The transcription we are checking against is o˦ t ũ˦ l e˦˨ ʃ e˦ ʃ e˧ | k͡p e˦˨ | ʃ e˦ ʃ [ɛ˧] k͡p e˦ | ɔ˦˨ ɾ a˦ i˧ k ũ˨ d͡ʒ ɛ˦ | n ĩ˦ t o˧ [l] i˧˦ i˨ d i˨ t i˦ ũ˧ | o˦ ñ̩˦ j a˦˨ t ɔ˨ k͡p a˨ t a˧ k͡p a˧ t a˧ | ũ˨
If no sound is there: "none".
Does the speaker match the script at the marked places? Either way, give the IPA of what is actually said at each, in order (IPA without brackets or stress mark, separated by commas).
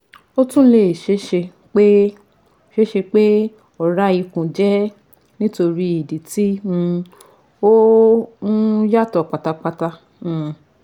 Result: e˧, ɾ